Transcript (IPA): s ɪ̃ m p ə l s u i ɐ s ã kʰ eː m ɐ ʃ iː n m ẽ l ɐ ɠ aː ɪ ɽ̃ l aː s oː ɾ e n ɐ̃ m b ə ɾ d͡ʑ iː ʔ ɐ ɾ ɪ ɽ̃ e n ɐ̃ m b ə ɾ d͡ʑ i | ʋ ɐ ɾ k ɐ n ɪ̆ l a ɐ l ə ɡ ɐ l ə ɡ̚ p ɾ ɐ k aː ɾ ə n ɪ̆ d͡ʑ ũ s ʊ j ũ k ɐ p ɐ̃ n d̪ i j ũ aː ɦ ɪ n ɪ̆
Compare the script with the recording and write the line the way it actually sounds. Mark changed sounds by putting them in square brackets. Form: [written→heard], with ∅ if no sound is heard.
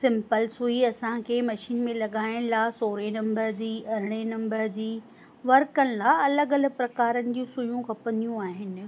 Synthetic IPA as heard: s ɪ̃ m p ə l s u i ɐ s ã kʰ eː m ɐ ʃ iː n m ẽ l ɐ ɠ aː ɪ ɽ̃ l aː s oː ɾ e n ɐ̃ m b ə ɾ d͡ʑ iː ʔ ɐ ɾ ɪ ɽ̃ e n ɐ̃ m b ə ɾ d͡ʑ [i→iː] | ʋ ɐ ɾ k [ɐ→ə] n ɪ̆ l a ɐ l ə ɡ ɐ l ə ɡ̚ p ɾ ɐ k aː ɾ ə n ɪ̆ d͡ʑ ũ s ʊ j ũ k ɐ p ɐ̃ n d̪ i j ũ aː ɦ ɪ n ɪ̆

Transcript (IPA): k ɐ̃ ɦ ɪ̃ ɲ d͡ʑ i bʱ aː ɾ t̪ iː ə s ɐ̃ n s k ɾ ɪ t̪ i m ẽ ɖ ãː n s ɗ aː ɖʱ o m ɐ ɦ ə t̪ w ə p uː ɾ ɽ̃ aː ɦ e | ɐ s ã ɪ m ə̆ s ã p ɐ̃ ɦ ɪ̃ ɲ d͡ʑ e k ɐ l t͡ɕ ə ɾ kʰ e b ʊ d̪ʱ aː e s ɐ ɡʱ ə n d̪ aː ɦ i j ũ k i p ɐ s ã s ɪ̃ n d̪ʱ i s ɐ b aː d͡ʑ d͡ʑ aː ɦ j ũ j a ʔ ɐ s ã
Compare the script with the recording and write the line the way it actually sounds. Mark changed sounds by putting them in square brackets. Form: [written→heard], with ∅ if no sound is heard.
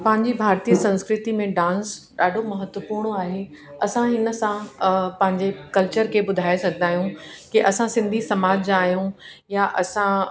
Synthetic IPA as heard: [k→p] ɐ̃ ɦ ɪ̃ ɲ d͡ʑ i bʱ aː ɾ t̪ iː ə s ɐ̃ n s k ɾ ɪ t̪ i m ẽ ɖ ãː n s ɗ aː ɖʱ o m ɐ ɦ ə t̪ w ə p uː ɾ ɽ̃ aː ɦ e | ɐ s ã ɪ [m→n] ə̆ s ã p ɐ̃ ɦ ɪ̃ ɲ d͡ʑ e k ɐ l t͡ɕ ə ɾ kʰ e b ʊ d̪ʱ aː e s ɐ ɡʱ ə n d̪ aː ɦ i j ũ k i [p→ʔ] ɐ s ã s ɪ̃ n d̪ʱ i s ɐ [b→m] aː d͡ʑ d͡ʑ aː ɦ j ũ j a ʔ ɐ s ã

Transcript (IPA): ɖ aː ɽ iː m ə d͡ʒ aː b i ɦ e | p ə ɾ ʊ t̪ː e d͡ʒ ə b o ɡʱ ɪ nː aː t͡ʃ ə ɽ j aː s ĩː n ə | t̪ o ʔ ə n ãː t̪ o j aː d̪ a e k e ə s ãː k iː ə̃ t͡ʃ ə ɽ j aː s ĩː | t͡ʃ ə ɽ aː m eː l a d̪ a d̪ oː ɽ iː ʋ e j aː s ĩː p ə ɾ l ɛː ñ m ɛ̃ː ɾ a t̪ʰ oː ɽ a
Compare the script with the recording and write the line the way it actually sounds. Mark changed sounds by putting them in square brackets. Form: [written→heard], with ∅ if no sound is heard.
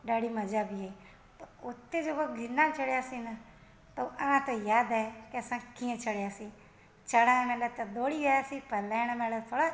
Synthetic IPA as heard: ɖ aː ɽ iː m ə d͡ʒ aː b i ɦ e | p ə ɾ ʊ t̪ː e d͡ʒ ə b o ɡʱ ɪ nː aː t͡ʃ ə ɽ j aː s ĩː n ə | t̪ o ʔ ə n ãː t̪ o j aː d̪ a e k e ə s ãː k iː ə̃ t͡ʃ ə ɽ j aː s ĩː | t͡ʃ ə ɽ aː m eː l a [d̪→t̪] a d̪ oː ɽ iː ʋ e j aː s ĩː p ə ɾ l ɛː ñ m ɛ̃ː [ɾ→l] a t̪ʰ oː ɽ a

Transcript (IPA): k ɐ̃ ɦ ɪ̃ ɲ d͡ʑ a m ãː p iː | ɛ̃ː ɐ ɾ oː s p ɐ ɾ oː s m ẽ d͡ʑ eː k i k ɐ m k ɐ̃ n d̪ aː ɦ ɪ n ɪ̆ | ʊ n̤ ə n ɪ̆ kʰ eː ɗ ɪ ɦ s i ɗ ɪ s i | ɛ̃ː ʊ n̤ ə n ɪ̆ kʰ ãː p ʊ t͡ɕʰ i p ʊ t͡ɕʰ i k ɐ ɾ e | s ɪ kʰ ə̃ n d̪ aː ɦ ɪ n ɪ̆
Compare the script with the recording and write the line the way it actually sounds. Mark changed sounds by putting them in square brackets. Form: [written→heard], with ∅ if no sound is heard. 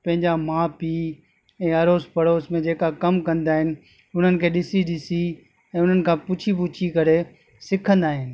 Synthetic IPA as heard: [k→p] ɐ̃ ɦ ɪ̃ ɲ d͡ʑ a m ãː p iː | ɛ̃ː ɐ ɾ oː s p ɐ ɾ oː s m ẽ d͡ʑ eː k [i→a] k ɐ m k ɐ̃ n d̪ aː ɦ ɪ n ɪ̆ | ʊ n̤ ə n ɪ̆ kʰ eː ɗ ɪ [ɦ→∅] s i ɗ ɪ s i | ɛ̃ː ʊ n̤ ə n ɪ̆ kʰ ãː p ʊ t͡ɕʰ i p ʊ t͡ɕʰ i k ɐ ɾ e | s ɪ kʰ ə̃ n d̪ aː ɦ ɪ n ɪ̆

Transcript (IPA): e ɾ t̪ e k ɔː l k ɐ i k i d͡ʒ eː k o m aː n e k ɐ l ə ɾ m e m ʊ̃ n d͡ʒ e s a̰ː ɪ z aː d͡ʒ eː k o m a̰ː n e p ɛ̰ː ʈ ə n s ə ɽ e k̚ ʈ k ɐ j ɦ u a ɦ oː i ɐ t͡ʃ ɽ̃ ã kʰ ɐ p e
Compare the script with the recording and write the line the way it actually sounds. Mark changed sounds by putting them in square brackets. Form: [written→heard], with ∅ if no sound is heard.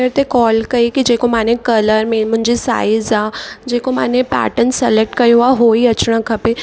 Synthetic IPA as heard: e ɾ t̪ e k ɔː l k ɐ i k i d͡ʒ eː k o m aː n e k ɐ l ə ɾ m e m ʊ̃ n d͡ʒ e s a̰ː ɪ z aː d͡ʒ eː k o m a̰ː n e p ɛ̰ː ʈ ə n s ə [ɽ→l] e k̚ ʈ k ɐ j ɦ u a ɦ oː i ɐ t͡ʃ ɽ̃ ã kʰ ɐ p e

